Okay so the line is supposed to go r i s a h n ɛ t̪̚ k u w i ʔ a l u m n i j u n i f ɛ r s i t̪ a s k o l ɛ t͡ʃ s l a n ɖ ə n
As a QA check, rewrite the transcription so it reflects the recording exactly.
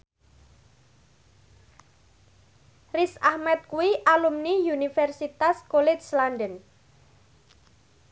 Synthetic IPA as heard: r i s a h m ɛ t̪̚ k u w i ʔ a l u m n i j u n i f ɛ r s i t̪ a s k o l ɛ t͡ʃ s l a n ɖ ə n